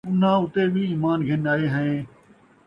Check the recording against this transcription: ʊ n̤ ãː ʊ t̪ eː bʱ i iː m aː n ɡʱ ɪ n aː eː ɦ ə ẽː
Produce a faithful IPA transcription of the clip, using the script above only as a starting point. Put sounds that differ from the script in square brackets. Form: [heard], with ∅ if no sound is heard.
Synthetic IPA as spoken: ʊ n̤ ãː ʊ t̪ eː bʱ i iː m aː n ɡʱ ɪ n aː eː ɦ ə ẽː